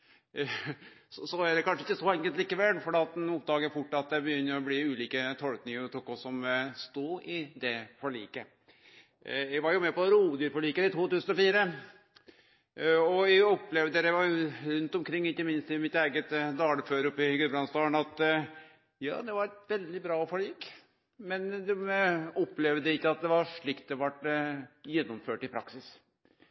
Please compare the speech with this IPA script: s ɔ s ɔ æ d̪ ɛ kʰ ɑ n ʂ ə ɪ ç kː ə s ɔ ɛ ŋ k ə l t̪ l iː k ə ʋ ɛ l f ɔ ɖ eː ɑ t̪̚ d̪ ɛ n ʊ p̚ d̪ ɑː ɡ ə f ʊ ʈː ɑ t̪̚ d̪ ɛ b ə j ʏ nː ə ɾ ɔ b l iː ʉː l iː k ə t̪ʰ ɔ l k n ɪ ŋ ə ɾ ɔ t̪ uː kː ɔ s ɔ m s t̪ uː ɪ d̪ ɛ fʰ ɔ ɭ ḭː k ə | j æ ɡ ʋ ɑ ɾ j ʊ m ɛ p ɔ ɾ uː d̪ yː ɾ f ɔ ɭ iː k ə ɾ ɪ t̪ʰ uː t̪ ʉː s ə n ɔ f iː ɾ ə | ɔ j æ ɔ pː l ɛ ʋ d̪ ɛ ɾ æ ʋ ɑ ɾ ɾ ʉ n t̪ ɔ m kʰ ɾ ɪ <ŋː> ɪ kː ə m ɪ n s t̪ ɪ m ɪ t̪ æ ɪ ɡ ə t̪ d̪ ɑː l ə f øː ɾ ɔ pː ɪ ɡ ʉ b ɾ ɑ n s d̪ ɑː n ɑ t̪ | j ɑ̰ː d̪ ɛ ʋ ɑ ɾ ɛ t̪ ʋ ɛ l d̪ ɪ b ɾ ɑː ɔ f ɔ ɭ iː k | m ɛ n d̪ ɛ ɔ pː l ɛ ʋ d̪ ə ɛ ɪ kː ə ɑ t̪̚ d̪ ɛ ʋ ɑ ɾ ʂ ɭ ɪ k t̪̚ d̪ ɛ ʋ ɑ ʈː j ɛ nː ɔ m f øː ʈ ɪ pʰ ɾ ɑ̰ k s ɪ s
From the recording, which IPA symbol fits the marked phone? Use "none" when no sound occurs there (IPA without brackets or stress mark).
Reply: ŋː